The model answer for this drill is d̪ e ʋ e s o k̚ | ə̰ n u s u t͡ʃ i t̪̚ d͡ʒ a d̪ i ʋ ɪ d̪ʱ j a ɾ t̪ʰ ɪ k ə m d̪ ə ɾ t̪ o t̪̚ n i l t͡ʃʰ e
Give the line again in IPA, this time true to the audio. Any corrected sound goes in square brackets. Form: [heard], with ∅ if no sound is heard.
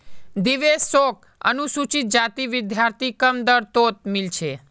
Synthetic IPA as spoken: d̪ [i] ʋ e s o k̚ | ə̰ n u s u t͡ʃ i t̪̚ d͡ʒ a [t̪] i ʋ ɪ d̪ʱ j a ɾ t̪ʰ [i] k ə m d̪ ə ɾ t̪ o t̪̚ [m] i l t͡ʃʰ e